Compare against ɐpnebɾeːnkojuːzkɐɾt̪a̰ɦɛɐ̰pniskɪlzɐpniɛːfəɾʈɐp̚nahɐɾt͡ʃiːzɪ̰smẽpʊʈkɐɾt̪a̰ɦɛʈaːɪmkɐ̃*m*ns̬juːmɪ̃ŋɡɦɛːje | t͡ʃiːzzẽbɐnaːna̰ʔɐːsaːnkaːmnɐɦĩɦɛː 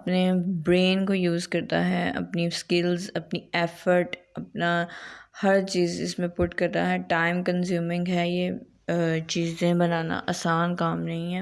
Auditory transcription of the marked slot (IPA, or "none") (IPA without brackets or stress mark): none